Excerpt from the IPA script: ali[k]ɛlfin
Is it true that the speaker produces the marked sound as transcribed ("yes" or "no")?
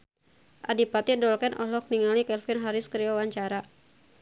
yes